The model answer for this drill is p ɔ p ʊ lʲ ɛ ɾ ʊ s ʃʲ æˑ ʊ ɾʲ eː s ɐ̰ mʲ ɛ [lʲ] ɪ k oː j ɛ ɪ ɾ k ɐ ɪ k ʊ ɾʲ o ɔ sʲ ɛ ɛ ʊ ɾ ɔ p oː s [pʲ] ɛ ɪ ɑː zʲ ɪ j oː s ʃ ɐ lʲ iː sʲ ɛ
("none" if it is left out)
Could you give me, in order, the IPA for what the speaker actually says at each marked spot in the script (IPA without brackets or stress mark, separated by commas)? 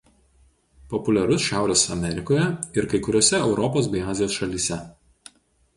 ɾʲ, bʲ